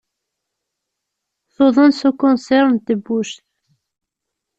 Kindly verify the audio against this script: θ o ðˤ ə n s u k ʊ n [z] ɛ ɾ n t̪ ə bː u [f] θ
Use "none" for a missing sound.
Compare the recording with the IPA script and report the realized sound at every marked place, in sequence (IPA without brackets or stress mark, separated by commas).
s, ʃ